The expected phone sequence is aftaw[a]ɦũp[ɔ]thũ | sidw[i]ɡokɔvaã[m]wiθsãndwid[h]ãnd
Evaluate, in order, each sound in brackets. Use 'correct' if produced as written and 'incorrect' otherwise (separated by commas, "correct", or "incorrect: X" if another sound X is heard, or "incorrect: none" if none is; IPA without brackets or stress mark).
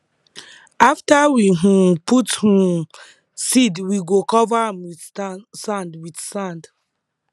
incorrect: i, incorrect: u, correct, correct, incorrect: s